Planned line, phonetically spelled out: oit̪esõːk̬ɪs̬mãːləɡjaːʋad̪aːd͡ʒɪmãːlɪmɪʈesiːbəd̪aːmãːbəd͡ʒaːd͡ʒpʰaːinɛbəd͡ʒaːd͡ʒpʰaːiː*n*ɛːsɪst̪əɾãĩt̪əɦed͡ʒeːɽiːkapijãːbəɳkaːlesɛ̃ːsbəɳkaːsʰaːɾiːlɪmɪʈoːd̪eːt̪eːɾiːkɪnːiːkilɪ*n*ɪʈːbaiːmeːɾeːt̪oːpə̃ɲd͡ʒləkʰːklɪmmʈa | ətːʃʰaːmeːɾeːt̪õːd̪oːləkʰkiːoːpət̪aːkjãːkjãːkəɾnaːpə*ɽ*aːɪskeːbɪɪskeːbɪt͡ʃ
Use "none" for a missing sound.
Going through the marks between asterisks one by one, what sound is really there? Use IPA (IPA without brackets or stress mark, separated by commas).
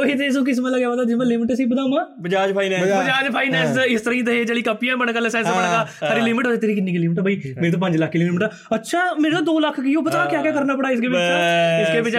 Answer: n, m, ɽ